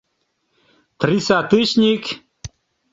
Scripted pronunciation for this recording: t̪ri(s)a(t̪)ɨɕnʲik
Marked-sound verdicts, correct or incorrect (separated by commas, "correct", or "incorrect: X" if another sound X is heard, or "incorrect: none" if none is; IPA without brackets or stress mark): correct, correct